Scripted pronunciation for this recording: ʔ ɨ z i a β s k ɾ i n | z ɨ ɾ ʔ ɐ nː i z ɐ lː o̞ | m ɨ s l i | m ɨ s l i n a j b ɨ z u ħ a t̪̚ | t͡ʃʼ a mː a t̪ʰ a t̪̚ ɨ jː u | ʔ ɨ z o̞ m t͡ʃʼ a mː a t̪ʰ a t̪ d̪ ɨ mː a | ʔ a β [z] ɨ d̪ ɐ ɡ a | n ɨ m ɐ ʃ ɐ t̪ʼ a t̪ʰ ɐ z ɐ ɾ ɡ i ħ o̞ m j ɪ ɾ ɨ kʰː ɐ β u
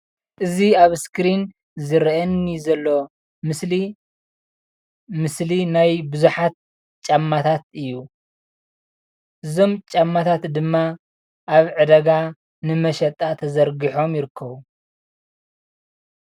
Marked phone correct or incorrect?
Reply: incorrect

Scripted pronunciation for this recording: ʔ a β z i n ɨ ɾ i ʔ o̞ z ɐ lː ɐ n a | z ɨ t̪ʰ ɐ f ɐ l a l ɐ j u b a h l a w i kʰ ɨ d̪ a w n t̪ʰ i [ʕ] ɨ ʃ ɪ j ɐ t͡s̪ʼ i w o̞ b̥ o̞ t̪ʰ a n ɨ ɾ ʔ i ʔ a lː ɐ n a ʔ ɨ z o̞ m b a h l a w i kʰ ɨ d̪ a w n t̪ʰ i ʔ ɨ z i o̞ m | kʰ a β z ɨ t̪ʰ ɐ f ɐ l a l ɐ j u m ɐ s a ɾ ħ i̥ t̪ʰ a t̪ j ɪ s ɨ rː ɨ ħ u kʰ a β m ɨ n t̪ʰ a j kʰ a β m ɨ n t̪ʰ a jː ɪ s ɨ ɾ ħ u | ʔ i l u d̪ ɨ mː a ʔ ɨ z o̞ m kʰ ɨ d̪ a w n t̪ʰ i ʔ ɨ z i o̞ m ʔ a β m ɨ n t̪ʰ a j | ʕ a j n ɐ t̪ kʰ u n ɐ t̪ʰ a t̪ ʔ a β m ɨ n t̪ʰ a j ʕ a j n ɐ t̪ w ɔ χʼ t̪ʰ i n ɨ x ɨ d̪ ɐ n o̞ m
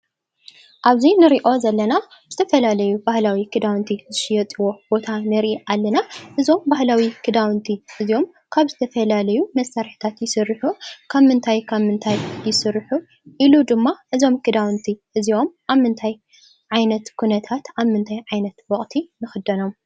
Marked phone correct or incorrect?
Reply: incorrect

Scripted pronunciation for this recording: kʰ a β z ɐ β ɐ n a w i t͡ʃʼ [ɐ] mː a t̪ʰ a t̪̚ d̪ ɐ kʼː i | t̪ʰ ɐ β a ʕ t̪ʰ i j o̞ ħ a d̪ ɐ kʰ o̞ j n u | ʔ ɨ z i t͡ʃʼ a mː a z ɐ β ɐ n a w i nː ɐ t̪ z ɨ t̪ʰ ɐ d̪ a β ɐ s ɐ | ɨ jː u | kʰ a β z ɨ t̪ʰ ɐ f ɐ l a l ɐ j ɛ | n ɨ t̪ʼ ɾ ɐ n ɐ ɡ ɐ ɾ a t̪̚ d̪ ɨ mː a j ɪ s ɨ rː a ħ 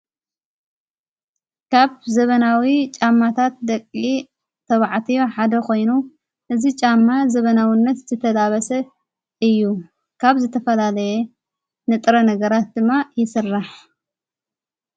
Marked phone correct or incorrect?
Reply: incorrect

